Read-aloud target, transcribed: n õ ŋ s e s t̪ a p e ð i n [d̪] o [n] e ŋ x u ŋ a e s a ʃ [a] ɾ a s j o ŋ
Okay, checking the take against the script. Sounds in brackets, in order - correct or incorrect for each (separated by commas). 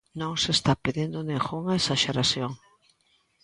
correct, correct, incorrect